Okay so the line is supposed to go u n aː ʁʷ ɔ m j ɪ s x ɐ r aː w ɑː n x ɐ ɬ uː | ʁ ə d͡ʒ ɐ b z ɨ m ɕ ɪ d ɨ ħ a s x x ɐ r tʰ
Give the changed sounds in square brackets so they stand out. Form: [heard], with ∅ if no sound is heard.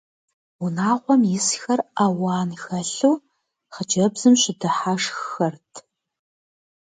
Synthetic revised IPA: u n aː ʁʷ ɔ m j ɪ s x ɐ r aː w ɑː n x ɐ ɬ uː | [χ] ə d͡ʒ ɐ b z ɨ m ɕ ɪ d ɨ ħ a [ʂ] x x ɐ r tʰ